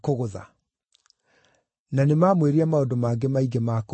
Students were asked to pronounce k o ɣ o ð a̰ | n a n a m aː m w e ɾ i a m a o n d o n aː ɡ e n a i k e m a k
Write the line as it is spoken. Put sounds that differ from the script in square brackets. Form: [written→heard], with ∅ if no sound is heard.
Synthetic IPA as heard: k o ɣ o ð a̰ | n a n [a→e] m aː m w e ɾ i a m a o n d o [n→m] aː ɡ e [n→m] a i [k→ɡ] e m a k